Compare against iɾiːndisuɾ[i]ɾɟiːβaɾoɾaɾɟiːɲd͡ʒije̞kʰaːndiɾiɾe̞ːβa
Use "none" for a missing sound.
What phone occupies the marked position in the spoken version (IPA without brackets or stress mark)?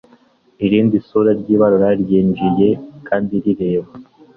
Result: a